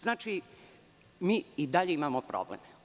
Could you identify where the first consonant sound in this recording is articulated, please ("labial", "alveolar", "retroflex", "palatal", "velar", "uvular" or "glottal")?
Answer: alveolar